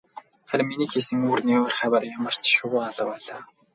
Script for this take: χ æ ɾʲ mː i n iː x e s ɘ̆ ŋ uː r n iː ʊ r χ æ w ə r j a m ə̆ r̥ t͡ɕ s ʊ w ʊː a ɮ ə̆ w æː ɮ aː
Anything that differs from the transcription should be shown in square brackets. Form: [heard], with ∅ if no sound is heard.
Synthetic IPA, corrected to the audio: χ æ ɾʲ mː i n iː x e s ɘ̆ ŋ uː r n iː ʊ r χ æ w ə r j a m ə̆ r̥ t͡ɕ [ʃ] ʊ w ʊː a ɮ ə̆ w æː ɮ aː

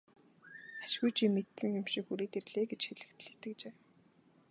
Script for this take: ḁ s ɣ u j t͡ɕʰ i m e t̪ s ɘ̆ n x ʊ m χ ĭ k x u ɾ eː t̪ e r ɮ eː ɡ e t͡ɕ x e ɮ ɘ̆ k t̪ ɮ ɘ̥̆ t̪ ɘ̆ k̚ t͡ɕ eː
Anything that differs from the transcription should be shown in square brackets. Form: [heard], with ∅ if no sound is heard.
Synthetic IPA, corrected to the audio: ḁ [ʃ] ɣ u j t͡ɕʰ i m e t̪ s ɘ̆ [ŋ] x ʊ m [ʃ] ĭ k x u ɾ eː t̪ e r ɮ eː ɡ e t͡ɕ x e ɮ ɘ̆ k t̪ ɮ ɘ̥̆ t̪ ɘ̆ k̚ t͡ɕ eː

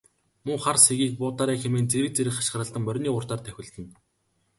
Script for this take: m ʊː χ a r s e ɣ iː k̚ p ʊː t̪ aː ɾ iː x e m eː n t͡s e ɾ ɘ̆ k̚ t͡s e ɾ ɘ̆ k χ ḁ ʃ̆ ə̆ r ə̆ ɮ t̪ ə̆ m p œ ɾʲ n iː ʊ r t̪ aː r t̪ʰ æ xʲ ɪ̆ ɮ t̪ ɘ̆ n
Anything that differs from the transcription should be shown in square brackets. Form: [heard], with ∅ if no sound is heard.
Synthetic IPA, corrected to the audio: m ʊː χ a r s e ɣ iː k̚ p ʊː t̪ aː ɾ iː x e m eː n t͡s e ɾ ɘ̆ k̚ t͡s e ɾ ɘ̆ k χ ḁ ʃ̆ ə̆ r ə̆ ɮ t̪ ə̆ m p œ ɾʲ n iː ʊ r t̪ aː r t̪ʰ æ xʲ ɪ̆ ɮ t̪ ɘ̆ n

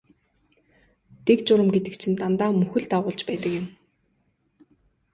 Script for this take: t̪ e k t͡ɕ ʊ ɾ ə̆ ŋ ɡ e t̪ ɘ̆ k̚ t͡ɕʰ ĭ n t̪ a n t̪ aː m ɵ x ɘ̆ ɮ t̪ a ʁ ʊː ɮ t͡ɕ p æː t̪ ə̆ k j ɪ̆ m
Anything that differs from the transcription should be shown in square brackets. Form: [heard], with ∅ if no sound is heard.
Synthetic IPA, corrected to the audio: t̪ e k t͡ɕ ʊ ɾ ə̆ [m] ɡ e t̪ ɘ̆ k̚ t͡ɕʰ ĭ n t̪ a n t̪ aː m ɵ x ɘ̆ ɮ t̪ a ʁ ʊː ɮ t͡ɕ p æː t̪ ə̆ k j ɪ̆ m

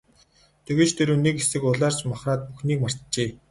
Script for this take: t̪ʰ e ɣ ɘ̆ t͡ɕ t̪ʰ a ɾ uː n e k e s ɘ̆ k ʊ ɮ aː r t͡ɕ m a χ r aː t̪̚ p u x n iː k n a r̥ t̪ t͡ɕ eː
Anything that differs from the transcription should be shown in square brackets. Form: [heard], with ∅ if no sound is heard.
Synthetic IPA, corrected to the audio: t̪ʰ e ɣ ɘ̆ t͡ɕ t̪ʰ [e] ɾ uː n e k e s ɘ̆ k ʊ ɮ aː r t͡ɕ m a χ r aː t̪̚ p u x n iː k [m] a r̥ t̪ t͡ɕ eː

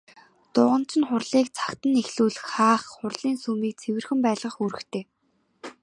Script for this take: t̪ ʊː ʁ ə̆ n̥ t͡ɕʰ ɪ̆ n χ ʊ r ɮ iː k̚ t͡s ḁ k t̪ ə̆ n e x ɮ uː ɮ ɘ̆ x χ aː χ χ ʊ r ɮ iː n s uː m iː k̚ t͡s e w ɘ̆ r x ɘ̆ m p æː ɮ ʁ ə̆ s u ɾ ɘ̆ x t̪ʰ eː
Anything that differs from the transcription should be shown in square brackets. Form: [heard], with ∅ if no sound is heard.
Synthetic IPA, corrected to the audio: t̪ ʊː ʁ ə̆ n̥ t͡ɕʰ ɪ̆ n χ ʊ r ɮ iː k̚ [t͡sʰ] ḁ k t̪ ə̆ n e x ɮ uː ɮ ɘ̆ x χ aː χ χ ʊ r ɮ iː n s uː m iː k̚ [t͡sʰ] e w ɘ̆ r x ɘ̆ m p æː ɮ ʁ ə̆ [χ] u ɾ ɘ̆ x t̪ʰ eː

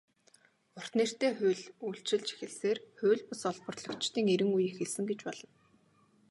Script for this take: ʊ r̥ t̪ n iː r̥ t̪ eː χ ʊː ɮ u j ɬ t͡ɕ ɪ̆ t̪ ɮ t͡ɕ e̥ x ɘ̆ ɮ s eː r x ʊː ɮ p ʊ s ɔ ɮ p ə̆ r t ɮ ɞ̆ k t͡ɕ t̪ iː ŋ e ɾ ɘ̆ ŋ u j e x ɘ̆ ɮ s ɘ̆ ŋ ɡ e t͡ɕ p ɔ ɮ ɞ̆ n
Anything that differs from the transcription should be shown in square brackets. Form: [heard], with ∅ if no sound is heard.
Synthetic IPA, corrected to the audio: ʊ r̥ t̪ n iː r̥ t̪ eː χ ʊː ɮ u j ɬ t͡ɕ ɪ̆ [∅] ɮ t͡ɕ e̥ x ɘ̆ ɮ s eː r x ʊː ɮ p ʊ s ɔ ɮ p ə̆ r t ɮ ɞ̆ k t͡ɕ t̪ iː ŋ e ɾ ɘ̆ ŋ u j e x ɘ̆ ɮ s ɘ̆ ŋ ɡ e t͡ɕ p ɔ ɮ ɞ̆ n

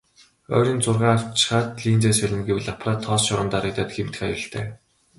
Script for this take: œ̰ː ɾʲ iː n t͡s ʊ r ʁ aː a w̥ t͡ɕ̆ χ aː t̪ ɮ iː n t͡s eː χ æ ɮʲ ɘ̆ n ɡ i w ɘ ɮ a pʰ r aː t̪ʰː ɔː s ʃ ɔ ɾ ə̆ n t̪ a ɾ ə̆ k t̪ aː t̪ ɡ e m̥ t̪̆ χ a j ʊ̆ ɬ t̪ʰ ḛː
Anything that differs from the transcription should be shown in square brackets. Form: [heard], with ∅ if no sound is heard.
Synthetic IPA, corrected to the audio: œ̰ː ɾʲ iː n t͡s ʊ r ʁ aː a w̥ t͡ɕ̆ χ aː t̪ ɮ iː n t͡s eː [s] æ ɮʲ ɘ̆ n ɡ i w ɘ ɮ a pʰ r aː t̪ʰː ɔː s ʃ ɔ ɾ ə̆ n t̪ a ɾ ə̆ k t̪ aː t̪ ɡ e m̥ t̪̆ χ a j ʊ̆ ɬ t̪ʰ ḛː

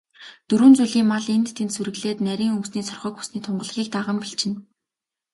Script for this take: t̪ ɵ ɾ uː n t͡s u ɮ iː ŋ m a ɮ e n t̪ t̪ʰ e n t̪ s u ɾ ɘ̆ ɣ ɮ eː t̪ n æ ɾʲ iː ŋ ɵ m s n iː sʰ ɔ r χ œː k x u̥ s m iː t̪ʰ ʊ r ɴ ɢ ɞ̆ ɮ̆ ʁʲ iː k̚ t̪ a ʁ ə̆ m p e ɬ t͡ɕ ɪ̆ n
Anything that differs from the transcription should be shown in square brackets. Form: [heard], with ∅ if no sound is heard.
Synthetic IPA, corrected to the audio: t̪ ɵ ɾ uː n t͡s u ɮ iː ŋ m a ɮ e n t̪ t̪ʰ e n t̪ s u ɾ ɘ̆ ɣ ɮ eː t̪ n æ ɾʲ iː ŋ ɵ m s n iː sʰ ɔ r χ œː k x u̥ s [n] iː t̪ʰ ʊ [∅] ɴ ɢ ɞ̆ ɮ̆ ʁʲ iː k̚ t̪ a ʁ ə̆ m p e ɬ t͡ɕ ɪ̆ n

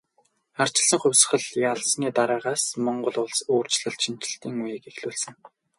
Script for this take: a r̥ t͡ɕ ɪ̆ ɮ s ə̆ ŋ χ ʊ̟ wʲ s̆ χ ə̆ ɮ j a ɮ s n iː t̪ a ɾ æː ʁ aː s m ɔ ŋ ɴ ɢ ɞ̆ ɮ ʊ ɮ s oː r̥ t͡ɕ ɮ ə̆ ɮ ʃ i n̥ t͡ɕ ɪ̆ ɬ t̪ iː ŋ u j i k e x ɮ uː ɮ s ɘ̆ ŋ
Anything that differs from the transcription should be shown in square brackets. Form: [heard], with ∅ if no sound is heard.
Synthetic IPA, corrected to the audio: a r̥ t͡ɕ ɪ̆ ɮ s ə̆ ŋ χ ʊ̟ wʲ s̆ χ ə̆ ɮ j a ɮ s n iː t̪ a ɾ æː ʁ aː s m ɔ [∅] ɴ ɢ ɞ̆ ɮ ʊ ɮ s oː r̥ t͡ɕ ɮ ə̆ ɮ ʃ i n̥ t͡ɕ ɪ̆ ɬ t̪ iː ŋ u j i k e x ɮ uː ɮ s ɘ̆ ŋ

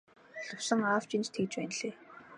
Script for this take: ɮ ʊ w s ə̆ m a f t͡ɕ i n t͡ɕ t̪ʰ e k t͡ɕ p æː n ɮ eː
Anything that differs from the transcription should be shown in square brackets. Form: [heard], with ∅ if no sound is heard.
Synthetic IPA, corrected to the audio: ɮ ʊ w s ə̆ [ŋ] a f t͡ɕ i n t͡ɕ t̪ʰ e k t͡ɕ p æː n ɮ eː

